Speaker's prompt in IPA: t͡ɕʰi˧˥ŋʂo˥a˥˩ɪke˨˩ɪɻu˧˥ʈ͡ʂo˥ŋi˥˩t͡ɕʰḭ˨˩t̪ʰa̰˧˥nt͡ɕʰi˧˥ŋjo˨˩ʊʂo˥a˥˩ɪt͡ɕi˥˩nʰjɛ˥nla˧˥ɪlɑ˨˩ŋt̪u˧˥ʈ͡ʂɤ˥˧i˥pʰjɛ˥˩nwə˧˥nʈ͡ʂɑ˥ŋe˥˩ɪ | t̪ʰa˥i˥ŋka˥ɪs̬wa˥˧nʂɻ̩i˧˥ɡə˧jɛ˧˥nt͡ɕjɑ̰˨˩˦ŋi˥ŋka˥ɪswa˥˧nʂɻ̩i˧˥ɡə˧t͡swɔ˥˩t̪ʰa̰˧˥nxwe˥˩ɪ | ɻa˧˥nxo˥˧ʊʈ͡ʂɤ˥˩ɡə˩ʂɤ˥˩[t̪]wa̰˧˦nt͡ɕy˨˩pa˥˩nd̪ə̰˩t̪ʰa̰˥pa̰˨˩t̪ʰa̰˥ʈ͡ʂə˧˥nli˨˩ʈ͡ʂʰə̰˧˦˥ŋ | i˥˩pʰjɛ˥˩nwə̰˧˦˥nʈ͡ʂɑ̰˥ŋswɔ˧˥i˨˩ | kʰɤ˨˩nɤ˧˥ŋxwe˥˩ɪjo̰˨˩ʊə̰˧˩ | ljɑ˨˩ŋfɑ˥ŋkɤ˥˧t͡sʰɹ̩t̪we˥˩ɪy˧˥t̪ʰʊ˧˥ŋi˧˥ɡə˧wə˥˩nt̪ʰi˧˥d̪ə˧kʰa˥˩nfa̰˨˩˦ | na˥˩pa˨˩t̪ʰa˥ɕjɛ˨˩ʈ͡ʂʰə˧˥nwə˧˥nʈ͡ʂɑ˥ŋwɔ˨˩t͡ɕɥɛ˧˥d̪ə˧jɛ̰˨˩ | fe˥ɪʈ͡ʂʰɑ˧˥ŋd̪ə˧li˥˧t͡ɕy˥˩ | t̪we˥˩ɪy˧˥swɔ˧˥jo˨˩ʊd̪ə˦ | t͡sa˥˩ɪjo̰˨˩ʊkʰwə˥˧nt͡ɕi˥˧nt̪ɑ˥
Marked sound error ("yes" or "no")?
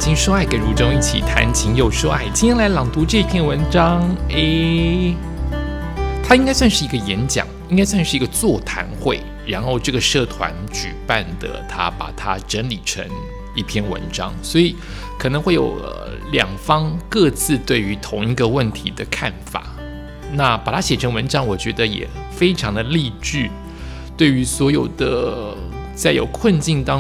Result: yes